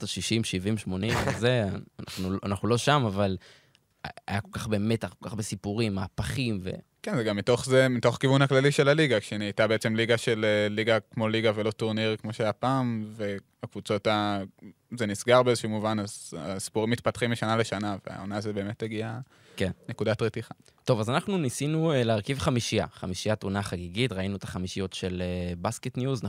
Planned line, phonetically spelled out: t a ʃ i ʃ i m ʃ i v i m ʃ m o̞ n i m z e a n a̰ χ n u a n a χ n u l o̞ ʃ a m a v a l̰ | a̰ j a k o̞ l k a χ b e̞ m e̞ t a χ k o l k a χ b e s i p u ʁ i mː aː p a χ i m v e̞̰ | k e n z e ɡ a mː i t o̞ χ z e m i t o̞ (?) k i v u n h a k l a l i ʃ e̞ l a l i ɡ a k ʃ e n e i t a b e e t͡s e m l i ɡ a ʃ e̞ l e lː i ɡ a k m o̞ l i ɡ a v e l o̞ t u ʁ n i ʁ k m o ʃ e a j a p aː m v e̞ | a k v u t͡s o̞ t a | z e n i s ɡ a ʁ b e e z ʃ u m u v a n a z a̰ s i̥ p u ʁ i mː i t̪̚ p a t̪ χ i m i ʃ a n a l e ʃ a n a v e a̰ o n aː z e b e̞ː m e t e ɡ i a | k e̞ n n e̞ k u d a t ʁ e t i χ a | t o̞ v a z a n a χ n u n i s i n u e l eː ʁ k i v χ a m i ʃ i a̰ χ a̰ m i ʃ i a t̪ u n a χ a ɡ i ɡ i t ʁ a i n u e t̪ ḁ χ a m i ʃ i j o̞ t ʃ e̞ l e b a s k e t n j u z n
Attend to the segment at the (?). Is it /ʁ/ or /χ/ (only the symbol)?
χ